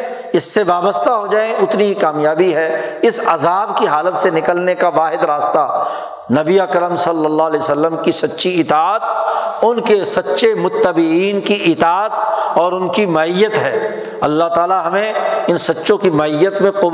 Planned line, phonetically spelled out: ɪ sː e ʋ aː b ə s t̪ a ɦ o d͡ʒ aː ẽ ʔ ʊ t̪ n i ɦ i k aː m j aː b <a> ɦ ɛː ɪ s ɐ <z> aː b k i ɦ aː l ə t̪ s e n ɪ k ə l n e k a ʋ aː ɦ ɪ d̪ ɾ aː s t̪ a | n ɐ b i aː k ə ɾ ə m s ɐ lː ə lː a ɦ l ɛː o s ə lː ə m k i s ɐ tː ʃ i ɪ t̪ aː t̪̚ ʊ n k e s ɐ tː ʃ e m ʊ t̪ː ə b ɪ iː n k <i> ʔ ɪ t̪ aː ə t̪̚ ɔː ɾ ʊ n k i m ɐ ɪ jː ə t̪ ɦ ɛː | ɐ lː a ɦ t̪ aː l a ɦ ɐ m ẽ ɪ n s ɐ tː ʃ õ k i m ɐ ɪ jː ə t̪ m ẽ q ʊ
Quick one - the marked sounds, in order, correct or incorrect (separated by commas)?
incorrect, correct, correct